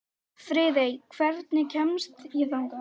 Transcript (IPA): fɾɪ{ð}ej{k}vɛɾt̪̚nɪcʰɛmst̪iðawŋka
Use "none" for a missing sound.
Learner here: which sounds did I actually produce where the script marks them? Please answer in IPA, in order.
ð, kʰ

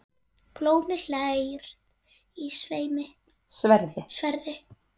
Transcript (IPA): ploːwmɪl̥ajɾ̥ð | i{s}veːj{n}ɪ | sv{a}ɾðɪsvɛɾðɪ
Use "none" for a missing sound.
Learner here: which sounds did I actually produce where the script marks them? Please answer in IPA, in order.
s, m, ɛ

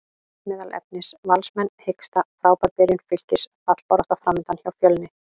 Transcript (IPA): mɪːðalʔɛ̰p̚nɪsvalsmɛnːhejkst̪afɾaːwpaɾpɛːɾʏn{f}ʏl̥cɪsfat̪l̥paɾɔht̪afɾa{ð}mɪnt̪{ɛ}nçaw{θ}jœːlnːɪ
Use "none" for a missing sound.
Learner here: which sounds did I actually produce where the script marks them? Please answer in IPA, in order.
f, none, a, f

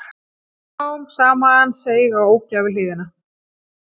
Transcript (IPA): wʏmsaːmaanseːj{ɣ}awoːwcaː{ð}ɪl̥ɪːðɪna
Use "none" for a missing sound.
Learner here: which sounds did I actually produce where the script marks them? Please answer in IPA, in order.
ɣ, v

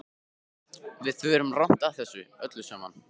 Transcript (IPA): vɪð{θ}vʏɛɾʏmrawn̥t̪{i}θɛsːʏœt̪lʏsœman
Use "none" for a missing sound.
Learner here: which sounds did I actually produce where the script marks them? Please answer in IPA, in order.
θ, a

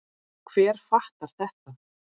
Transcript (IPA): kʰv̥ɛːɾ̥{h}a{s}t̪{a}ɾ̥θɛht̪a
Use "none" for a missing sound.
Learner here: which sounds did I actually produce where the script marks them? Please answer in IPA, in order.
f, h, a

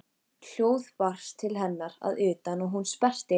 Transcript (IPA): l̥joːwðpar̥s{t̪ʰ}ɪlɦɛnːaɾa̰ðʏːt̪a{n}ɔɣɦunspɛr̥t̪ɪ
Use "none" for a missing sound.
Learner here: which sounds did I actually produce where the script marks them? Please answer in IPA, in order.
t̪ʰ, n

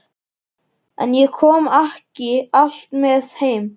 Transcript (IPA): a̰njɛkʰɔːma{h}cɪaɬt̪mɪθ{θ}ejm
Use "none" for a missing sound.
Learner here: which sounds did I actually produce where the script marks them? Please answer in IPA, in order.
h, h

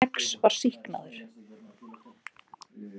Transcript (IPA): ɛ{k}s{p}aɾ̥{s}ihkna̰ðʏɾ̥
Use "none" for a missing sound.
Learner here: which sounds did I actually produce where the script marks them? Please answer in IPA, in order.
k, p, s

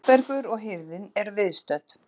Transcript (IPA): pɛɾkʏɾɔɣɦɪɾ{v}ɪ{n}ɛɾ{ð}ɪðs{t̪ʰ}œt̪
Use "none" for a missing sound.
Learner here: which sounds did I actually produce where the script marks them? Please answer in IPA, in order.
ð, n, v, t̪

